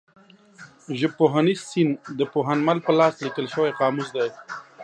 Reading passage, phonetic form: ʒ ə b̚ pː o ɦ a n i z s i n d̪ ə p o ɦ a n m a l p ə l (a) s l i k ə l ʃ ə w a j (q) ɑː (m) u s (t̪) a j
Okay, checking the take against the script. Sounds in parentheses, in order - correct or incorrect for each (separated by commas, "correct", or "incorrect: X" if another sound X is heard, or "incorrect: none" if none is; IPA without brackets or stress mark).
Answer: incorrect: ɑ, correct, correct, incorrect: d̪